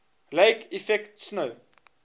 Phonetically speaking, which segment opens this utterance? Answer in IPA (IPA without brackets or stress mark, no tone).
l